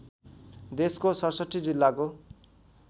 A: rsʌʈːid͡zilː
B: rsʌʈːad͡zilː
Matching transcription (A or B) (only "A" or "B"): A